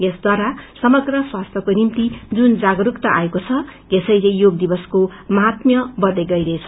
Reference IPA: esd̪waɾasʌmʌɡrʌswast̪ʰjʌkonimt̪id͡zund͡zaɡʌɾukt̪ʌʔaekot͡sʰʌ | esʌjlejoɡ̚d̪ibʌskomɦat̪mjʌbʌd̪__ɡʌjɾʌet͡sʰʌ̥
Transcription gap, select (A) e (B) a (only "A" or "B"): A